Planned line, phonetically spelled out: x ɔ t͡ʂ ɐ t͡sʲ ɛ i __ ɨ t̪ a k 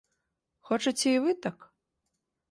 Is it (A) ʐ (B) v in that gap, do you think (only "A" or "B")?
B